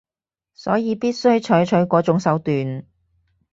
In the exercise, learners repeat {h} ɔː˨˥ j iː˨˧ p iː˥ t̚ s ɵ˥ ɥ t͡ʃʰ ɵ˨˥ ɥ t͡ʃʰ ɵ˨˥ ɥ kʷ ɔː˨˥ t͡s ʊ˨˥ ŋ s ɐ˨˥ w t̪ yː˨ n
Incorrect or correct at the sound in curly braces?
incorrect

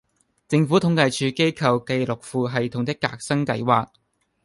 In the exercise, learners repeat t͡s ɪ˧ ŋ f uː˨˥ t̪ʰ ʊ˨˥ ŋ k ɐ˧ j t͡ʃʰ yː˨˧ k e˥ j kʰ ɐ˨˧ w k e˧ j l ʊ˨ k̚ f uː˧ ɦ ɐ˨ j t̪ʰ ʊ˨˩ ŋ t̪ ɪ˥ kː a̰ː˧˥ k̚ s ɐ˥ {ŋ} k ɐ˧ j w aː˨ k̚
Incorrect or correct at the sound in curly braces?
correct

